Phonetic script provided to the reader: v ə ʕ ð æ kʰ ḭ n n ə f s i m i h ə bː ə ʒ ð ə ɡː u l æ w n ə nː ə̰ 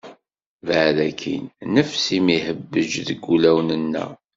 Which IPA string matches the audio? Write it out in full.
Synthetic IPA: v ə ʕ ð æ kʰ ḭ n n ə f s i m i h ə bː ə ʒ ð ə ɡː u l æ w n ə nː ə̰